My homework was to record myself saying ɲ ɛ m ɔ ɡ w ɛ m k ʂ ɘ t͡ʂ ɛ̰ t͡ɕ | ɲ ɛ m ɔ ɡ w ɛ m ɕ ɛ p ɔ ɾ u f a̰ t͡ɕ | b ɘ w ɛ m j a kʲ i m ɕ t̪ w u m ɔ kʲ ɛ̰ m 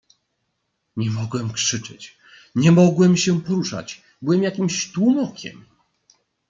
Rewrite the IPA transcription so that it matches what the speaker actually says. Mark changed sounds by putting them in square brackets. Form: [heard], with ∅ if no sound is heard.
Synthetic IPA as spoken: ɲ ɛ m ɔ ɡ w ɛ m k ʂ ɘ t͡ʂ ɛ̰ t͡ɕ | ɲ ɛ m ɔ ɡ w ɛ m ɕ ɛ p ɔ ɾ u [ʂ] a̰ t͡ɕ | b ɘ w ɛ m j a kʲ i m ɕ t̪ w u m ɔ kʲ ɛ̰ m